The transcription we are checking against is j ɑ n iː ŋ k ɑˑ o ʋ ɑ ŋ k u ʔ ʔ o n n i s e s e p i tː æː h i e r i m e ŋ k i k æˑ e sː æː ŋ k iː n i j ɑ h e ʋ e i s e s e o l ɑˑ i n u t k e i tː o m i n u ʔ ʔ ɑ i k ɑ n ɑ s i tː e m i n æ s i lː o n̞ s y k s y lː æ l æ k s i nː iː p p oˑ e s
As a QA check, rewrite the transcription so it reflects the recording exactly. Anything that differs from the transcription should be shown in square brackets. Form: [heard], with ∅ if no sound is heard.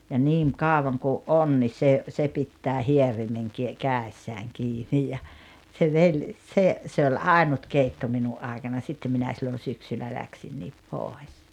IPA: j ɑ n iː ŋ k ɑˑ o ʋ ɑ ŋ k u ʔ ʔ o n n i s e s e p i tː æː h i e r i m e ŋ k i k æˑ e sː æː ŋ k iː n i j ɑ [s] e ʋ e i s e s e o l ɑˑ i n u t k e i tː o m i n u ʔ ʔ ɑ i k ɑ n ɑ s i tː e m i n æ s i lː o n̞ s y k s y lː æ l æ k s i nː iː p p oˑ e s

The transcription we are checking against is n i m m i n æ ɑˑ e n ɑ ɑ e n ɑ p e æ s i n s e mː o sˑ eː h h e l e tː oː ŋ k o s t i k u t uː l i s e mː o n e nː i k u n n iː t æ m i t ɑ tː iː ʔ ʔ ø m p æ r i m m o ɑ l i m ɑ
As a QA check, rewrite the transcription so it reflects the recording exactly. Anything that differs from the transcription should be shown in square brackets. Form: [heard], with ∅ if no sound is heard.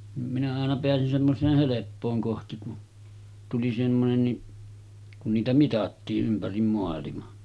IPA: n i m m i n æ ɑˑ e n ɑ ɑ e n ɑ p e æ s i n s e mː o sˑ eː h h e l e [pː] oː ŋ k o [h] t i k u t [u] l i s e mː o n e nː i k u n n iː t æ m i t ɑ tː iː ʔ ʔ [y] m p æ r i m m o ɑ l i m ɑ

